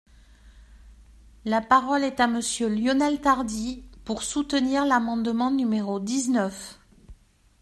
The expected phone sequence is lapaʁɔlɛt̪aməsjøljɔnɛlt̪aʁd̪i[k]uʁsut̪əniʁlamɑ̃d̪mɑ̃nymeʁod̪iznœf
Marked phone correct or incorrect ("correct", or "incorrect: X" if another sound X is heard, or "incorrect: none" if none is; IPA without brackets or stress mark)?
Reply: incorrect: p